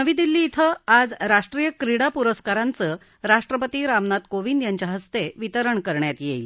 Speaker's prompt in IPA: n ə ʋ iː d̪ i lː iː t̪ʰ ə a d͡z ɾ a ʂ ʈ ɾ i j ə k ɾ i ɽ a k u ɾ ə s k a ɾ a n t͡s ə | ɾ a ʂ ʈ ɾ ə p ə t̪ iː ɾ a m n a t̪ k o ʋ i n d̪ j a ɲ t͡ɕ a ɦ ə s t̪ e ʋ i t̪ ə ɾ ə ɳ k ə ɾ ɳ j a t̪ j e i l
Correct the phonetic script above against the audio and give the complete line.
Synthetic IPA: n ə ʋ iː d̪ i lː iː t̪ʰ ə a d͡z ɾ a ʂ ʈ ɾ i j ə k ɾ i ɽ a p u ɾ ə s k a ɾ a n t͡s ə | ɾ a ʂ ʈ ɾ ə p ə t̪ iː ɾ a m n a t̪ k o ʋ i n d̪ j a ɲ t͡ɕ a ɦ ə s t̪ e ʋ i t̪ ə ɾ ə ɳ k ə ɾ ɳ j a t̪ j e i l

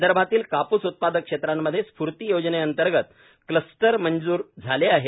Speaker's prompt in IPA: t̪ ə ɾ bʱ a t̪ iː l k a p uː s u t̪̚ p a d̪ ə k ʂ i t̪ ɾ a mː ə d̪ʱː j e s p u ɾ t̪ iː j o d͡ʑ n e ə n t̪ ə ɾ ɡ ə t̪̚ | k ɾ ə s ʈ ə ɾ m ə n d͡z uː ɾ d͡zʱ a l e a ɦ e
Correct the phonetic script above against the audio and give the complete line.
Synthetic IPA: d̪ ə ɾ bʱ a t̪ iː l k a p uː s u t̪̚ p a d̪ ə k ʂ e t̪ ɾ a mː ə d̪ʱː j e s p u ɾ t̪ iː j o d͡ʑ n e ə n t̪ ə ɾ ɡ ə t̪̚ | k l ə s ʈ ə ɾ m ə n d͡z uː ɾ d͡zʱ a l e a ɦ e

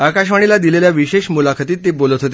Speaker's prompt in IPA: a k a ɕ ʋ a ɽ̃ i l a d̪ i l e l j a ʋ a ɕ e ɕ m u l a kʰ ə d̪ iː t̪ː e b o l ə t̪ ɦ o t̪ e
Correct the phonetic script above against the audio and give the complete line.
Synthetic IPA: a k a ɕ ʋ a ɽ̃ i l a d̪ i l e l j a ʋ i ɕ e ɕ m u l a kʰ ə t̪ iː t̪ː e b o l ə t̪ ɦ o t̪ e

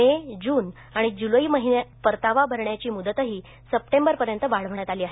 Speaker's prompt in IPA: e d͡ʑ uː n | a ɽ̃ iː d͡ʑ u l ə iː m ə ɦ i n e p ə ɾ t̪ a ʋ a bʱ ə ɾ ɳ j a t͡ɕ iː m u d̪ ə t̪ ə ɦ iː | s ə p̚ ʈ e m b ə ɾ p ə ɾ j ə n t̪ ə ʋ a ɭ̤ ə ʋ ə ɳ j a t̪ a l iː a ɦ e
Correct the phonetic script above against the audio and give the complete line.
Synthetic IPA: e d͡ʑ uː n | a ɽ̃ i d͡ʑ u l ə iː m ə ɦ i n e p ə ɾ t̪ a ʋ a bʱ ə ɾ ɳ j a t͡ɕ iː m u d̪ ə t̪ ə ɦ iː | s ə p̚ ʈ e m b ə ɾ p ə ɾ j ə n t̪ ə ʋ a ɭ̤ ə ʋ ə ɳ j a t̪ a l iː a ɦ e

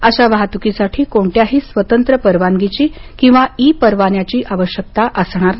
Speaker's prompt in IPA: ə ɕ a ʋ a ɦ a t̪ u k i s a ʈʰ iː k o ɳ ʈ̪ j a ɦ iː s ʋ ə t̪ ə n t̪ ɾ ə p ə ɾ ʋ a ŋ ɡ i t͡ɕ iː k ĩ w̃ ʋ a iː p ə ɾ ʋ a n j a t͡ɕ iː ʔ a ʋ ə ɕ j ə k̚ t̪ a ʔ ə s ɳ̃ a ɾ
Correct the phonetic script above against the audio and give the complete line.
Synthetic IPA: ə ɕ a ʋ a ɦ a t̪ u k i s a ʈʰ iː k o ɳ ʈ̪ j a ɦ iː s ʋ ə t̪ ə n t̪ ɾ ə p ə ɾ ʋ a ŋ ɡ i t͡ɕ iː k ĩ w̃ ʋ a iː p ə ɾ ʋ a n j a t͡ɕ iː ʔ a ʋ ə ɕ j ə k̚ t̪ a ʔ ə s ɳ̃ a ɾ

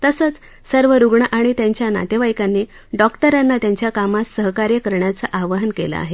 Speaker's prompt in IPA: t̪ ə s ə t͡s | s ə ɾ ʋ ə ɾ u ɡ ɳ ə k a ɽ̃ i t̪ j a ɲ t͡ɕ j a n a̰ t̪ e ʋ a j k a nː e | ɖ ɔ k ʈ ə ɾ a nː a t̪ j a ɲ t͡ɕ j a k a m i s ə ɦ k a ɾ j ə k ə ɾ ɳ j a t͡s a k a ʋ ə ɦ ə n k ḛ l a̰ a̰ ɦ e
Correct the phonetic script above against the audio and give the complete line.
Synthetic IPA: t̪ ə s ə t͡s | s ə ɾ ʋ ə ɾ u ɡ ɳ ə ʔ a ɽ̃ i t̪ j a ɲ t͡ɕ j a n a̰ t̪ e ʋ a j k a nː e | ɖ ɔ k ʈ ə ɾ a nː a t̪ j a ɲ t͡ɕ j a k a m a s ə ɦ k a ɾ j ə k ə ɾ ɳ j a t͡s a ʔ a ʋ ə ɦ ə n k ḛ l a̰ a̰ ɦ e

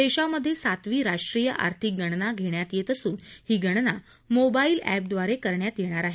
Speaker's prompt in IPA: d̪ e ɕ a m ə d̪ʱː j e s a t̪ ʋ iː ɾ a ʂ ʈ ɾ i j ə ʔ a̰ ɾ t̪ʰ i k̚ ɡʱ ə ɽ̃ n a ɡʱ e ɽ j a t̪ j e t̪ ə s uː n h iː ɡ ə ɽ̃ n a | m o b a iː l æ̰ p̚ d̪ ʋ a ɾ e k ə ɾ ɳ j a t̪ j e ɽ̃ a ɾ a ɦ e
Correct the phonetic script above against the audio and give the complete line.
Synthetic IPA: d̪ e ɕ a m ə d̪ʱː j e s a t̪ ʋ iː ɾ a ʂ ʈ ɾ i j ə ʔ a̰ ɾ t̪ʰ i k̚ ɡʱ ə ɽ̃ n a ɡʱ e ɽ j a t̪ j e t̪ ə s uː n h iː ɡ ə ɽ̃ n a | m o b a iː l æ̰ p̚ d̪ ʋ a ɾ e k ə ɾ ɳ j a t̪ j e ɽ̃ a ɾ a ɦ e

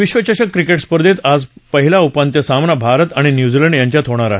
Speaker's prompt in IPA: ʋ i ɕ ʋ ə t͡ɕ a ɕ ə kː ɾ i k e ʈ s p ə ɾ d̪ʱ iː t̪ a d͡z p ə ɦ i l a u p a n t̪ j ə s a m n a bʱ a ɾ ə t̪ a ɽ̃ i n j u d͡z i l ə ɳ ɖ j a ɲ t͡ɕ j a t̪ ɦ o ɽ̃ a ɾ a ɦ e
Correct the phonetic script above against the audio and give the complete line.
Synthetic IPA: ʋ i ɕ ʋ ə t͡ɕ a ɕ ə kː ɾ i k e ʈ s p ə ɾ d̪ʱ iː t̪ a d͡z p ə ɦ i l a u p a n t̪ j ə s a m n a bʱ a ɾ ə t̪ a ɽ̃ i n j u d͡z i l ə ɳ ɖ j a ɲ t͡ɕ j a t̪ ɦ o ɽ̃ a ɾ a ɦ e

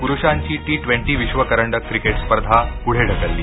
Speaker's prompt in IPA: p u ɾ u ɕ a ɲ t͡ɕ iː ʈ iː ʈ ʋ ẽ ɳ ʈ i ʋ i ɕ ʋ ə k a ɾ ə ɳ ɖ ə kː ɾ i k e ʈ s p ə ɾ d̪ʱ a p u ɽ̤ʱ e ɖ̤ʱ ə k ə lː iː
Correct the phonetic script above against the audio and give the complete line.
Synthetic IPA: p u ɾ u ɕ a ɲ t͡ɕ iː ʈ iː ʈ ʋ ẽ ɳ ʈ i ʋ i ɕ ʋ ə k ə ɾ ə ɳ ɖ ə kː ɾ i k e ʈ s p ə ɾ d̪ʱ a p u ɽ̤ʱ e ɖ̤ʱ ə k ə lː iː

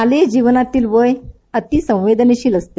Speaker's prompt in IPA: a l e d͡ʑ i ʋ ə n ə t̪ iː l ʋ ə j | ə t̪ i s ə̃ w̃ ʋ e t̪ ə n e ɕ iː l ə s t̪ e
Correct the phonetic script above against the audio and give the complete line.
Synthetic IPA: a l e d͡ʑ i ʋ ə n a t̪ iː l ʋ ə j | ə t̪ i s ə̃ w̃ ʋ e d̪ ə n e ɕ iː l ə s t̪ e

